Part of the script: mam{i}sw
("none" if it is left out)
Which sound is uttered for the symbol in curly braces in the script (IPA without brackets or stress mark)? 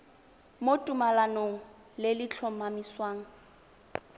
i